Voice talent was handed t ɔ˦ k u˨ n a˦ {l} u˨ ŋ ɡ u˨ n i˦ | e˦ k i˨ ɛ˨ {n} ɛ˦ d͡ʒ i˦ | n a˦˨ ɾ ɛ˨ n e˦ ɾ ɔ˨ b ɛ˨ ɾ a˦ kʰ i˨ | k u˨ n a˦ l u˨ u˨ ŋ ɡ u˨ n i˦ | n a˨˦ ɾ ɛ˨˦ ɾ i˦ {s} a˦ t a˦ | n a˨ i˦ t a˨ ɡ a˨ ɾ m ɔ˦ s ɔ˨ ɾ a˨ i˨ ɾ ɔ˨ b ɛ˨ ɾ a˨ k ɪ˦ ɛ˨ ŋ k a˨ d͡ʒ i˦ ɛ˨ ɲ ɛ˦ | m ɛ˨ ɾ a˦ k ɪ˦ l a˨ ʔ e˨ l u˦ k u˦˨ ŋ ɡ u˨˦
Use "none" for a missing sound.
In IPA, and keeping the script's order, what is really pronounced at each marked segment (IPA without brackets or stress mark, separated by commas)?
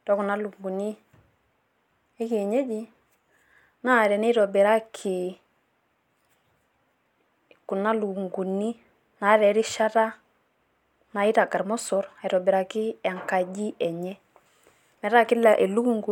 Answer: l, ɲ, ʃ